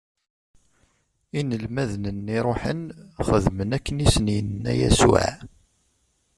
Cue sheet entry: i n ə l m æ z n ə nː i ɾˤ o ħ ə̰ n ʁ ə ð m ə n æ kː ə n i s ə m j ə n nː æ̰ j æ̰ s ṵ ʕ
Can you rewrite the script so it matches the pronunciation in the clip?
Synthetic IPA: i n ə l m æ ð n ə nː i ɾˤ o ħ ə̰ n χ ə ð m ə n æ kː ə n i s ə n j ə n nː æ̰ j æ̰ s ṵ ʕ